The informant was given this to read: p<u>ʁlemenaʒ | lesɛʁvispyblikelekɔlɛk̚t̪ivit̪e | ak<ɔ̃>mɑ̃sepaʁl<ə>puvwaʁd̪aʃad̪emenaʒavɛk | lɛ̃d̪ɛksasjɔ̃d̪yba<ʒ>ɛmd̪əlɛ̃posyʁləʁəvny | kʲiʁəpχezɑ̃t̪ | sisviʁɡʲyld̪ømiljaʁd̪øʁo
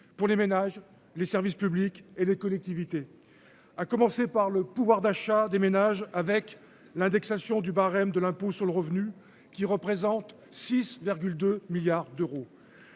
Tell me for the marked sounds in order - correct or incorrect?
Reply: correct, incorrect, correct, incorrect

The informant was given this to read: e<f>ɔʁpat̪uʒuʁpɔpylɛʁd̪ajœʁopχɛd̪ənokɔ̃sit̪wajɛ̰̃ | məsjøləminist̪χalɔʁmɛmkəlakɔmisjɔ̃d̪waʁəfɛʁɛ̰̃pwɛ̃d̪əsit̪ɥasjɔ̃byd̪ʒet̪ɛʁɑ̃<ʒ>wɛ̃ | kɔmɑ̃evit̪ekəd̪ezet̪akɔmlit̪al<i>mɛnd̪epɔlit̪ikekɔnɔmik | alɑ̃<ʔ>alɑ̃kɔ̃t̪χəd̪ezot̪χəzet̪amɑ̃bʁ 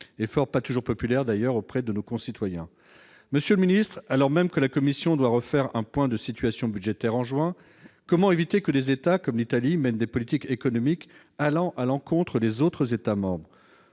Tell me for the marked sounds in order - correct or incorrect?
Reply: correct, correct, correct, correct

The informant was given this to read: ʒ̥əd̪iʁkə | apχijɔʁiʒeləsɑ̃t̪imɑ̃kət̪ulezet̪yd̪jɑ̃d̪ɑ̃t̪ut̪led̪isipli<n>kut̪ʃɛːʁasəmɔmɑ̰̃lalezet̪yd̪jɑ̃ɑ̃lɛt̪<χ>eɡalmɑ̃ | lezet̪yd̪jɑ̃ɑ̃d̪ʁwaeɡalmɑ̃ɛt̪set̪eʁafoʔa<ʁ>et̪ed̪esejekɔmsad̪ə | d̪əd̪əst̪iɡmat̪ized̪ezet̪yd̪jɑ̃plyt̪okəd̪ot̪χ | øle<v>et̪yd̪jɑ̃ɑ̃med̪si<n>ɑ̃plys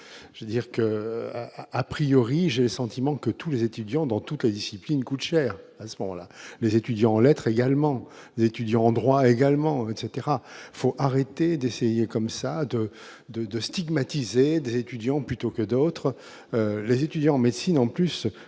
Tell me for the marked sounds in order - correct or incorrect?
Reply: correct, correct, correct, incorrect, correct

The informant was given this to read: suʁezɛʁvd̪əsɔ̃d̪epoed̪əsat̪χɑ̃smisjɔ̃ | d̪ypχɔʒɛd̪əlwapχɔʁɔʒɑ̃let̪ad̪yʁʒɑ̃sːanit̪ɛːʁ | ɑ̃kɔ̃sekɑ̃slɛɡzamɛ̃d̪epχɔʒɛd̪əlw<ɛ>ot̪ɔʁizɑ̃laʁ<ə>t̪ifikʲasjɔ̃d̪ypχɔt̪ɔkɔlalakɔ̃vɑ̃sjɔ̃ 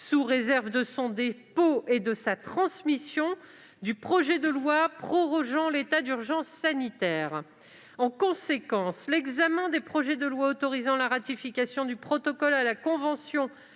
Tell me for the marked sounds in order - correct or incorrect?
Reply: incorrect, incorrect

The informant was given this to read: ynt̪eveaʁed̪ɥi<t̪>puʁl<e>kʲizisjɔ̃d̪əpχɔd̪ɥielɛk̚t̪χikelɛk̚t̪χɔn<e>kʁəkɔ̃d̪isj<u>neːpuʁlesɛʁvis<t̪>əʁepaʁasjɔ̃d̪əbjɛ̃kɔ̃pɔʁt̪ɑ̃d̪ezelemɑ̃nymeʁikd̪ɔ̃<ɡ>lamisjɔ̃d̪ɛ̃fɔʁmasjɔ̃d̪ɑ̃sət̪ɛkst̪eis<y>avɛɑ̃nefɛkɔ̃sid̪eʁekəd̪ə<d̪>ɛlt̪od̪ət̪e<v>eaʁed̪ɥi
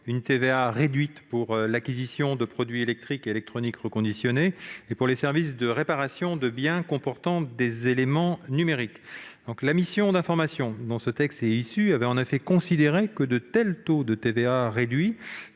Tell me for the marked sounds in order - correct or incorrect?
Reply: correct, incorrect, incorrect, incorrect, incorrect, incorrect, correct, incorrect, correct

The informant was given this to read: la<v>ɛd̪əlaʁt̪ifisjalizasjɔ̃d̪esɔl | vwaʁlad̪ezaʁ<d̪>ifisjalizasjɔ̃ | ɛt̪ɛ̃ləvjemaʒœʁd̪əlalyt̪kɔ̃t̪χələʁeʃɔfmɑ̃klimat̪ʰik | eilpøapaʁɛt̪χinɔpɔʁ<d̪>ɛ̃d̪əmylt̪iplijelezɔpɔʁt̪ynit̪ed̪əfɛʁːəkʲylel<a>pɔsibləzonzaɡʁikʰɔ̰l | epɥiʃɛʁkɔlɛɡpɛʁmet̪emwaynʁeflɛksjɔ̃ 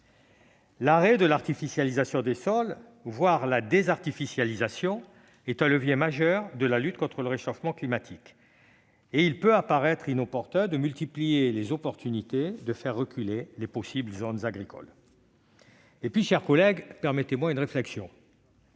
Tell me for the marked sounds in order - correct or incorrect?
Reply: incorrect, incorrect, incorrect, incorrect

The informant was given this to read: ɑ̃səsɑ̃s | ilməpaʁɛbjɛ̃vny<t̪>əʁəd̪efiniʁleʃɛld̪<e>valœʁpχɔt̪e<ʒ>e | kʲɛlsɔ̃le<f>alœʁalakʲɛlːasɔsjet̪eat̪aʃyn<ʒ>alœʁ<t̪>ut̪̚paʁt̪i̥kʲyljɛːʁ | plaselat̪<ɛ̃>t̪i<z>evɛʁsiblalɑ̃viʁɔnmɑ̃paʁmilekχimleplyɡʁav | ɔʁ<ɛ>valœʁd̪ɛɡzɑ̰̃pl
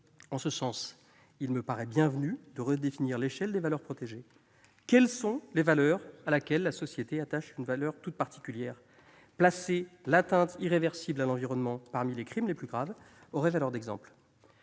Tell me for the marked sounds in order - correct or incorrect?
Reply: incorrect, correct, correct, incorrect, incorrect, correct, correct, incorrect, correct

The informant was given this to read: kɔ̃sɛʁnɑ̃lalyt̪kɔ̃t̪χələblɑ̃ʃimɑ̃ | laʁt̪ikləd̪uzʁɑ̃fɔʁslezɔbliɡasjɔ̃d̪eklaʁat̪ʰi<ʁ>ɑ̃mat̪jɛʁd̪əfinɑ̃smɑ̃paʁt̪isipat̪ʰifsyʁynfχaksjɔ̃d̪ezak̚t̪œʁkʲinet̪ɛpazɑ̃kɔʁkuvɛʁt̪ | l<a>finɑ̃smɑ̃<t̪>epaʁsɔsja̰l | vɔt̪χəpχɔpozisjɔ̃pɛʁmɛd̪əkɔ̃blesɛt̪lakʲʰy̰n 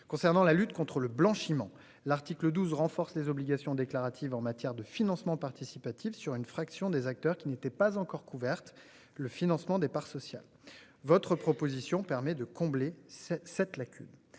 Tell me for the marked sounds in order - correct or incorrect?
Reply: incorrect, incorrect, incorrect

